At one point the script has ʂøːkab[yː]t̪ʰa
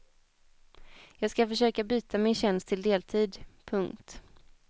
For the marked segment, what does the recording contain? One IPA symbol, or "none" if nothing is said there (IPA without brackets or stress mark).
yː